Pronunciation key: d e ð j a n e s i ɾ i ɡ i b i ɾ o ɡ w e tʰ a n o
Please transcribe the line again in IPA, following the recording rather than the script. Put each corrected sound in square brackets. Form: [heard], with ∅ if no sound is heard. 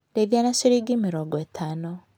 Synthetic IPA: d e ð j a n [a] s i ɾ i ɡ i [m] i ɾ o ɡ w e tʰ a n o